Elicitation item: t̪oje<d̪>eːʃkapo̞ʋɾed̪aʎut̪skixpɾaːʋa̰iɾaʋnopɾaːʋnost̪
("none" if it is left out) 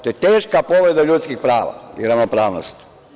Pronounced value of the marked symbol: t̪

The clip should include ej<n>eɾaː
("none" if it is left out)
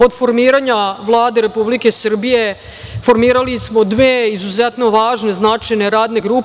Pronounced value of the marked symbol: n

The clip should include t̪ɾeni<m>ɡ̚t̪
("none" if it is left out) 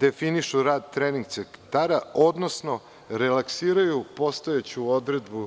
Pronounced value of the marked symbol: ŋ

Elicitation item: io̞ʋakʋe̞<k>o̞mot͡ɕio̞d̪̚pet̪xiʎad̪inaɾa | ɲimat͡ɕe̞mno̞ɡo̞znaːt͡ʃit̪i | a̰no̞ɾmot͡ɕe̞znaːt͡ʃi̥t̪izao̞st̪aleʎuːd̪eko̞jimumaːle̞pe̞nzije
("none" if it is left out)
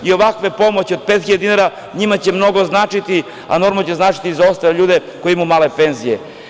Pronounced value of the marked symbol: p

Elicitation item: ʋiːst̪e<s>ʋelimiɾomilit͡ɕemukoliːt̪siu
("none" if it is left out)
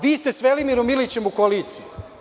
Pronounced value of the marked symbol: s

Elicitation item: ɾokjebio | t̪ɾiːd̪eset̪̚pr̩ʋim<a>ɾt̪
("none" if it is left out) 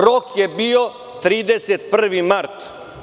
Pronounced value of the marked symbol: a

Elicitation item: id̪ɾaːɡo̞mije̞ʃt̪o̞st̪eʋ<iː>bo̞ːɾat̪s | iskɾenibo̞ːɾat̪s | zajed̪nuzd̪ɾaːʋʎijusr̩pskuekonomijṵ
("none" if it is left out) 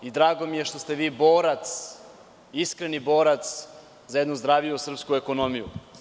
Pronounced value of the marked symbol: iː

